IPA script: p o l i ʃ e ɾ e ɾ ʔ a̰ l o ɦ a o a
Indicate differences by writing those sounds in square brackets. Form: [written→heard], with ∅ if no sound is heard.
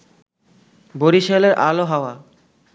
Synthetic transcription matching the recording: [p→b] o [l→ɾ] i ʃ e [ɾ→l] e ɾ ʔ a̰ l o ɦ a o a